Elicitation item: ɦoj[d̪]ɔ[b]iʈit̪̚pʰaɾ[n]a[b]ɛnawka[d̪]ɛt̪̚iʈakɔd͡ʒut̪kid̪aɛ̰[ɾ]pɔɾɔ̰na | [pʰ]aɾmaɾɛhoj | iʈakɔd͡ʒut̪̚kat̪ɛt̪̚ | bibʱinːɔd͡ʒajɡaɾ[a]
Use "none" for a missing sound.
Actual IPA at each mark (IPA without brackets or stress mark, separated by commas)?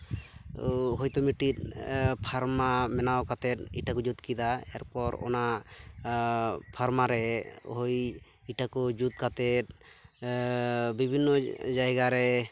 t̪, m, m, m, t̪, ɾ, pʰ, ɛ